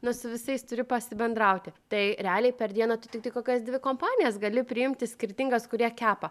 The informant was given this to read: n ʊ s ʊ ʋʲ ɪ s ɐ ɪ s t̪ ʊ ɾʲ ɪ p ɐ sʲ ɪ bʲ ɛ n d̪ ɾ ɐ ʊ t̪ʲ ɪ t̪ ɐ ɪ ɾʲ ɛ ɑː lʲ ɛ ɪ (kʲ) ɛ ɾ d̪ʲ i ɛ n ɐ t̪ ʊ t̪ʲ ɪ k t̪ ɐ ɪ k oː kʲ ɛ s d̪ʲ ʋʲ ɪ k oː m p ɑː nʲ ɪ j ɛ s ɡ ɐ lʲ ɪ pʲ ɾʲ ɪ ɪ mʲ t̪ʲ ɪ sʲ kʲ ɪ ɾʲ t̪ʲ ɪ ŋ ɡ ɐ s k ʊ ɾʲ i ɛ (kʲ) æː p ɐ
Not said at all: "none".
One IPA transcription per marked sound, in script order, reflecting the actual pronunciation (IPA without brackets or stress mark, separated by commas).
pʲ, kʲ